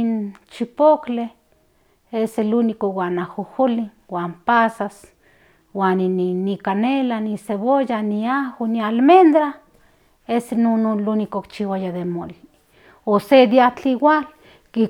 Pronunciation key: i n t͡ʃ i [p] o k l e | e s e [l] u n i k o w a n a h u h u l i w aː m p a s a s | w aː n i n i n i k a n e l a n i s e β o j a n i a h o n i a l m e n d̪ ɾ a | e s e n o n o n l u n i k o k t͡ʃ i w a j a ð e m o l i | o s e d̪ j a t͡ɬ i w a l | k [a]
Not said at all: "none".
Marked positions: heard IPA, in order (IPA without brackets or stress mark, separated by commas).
p, l, i